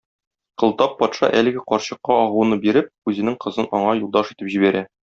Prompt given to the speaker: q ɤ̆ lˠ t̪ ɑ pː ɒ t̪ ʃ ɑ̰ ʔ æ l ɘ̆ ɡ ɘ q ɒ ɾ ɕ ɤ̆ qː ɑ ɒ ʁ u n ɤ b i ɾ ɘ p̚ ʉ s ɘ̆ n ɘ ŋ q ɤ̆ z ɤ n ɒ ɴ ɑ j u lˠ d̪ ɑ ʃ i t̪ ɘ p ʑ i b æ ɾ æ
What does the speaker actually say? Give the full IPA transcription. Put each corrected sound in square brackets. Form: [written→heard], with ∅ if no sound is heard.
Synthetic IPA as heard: q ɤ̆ lˠ t̪ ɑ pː ɒ t̪ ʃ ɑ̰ ʔ æ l ɘ̆ ɡ ɘ q ɒ ɾ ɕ ɤ̆ qː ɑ ɒ ʁ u n ɤ b i ɾ ɘ p̚ ʉ [s→z] ɘ̆ n ɘ ŋ q ɤ̆ z ɤ n ɒ ɴ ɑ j u lˠ d̪ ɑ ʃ i t̪ ɘ p ʑ i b æ ɾ æ